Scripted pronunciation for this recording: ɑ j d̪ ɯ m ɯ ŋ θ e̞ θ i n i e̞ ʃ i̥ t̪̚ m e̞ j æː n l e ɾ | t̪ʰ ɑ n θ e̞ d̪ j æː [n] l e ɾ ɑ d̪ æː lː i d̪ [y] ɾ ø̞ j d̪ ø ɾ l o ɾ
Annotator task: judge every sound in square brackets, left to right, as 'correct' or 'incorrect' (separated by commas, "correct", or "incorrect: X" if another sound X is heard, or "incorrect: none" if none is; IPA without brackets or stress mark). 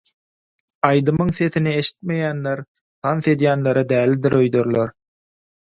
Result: correct, incorrect: i